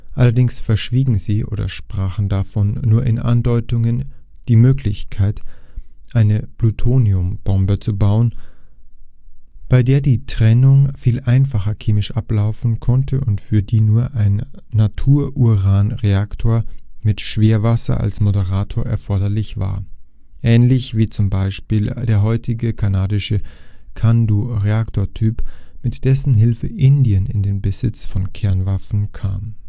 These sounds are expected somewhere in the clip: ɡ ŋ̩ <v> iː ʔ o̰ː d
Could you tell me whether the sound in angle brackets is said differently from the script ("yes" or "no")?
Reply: yes